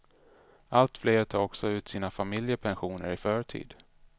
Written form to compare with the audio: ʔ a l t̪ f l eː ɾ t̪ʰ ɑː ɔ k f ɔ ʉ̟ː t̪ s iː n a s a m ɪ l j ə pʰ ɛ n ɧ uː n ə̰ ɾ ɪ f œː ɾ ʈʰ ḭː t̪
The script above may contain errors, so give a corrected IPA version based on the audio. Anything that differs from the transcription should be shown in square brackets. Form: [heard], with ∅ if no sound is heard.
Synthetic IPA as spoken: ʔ a l t̪ f l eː ɾ t̪ʰ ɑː ɔ k [s] ɔ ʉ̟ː t̪ s iː n a [f] a m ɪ l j ə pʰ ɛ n ɧ uː n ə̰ ɾ ɪ f œː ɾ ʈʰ ḭː [d̪]